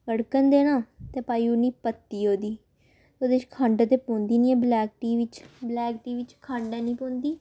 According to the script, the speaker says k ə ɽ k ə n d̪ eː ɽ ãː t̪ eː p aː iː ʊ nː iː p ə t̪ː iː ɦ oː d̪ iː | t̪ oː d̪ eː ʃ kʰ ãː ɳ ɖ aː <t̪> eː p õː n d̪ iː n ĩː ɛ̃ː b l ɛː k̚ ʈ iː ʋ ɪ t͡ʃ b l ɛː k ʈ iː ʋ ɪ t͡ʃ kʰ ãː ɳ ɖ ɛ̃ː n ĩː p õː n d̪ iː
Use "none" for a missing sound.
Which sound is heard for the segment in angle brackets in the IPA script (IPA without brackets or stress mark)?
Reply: t̪